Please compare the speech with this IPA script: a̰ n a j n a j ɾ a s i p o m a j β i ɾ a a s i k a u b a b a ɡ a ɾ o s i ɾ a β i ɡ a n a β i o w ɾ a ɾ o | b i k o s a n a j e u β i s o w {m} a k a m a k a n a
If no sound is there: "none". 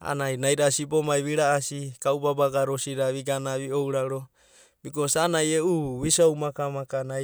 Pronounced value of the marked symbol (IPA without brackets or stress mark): m